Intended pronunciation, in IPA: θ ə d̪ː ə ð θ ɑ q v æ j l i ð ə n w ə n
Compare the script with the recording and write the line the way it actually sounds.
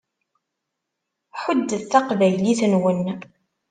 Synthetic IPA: ħ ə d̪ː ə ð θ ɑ q v æ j l i θ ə n w ə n